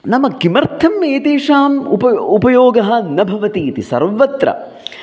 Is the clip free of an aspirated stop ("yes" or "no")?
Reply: no